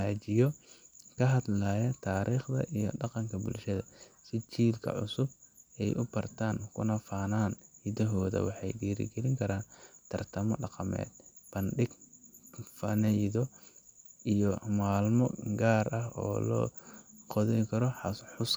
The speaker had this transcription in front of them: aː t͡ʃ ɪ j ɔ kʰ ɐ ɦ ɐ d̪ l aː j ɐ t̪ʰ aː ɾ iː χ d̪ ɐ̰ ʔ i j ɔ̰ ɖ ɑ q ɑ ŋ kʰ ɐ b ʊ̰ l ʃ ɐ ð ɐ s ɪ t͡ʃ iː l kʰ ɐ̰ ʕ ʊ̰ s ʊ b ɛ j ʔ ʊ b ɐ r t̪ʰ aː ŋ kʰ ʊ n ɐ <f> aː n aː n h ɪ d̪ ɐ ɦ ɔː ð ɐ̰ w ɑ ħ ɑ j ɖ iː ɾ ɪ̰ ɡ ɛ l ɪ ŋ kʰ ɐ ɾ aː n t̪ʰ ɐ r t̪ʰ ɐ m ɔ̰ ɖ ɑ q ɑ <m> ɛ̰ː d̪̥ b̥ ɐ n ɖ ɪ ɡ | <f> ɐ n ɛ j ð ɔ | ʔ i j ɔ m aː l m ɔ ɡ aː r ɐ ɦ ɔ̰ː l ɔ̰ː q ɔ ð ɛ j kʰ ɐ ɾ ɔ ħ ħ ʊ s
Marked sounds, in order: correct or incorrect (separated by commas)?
correct, correct, correct